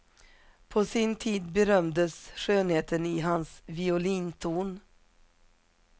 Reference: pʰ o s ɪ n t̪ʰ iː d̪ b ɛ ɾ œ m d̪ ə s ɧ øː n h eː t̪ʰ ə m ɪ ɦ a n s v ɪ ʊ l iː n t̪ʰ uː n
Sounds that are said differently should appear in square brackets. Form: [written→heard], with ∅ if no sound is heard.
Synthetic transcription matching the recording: pʰ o s ɪ n t̪ʰ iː d̪ b ɛ ɾ œ m d̪ ə s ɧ øː n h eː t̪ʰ ə [m→n] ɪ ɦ a n s v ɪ ʊ l iː n t̪ʰ uː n